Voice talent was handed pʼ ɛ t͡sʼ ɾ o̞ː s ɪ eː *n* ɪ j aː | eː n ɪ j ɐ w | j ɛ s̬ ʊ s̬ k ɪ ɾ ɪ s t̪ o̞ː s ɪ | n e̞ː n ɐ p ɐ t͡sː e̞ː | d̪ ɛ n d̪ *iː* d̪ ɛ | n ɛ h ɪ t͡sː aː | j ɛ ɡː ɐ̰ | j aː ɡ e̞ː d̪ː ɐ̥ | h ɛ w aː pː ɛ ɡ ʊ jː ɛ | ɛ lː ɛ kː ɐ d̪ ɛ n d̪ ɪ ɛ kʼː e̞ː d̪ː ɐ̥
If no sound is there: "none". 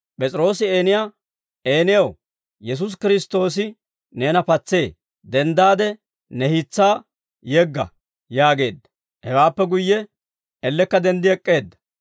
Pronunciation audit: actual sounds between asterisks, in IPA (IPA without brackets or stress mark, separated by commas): n, aː